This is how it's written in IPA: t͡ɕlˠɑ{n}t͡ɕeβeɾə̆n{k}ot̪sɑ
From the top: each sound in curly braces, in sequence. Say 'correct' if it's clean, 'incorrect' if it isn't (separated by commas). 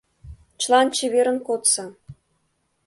correct, correct